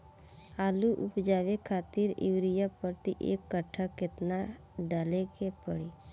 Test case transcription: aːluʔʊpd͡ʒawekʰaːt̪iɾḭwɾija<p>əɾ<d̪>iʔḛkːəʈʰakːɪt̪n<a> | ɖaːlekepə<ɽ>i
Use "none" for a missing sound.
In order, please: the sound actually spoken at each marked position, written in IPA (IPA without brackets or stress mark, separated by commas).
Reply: p, t̪, a, ɽ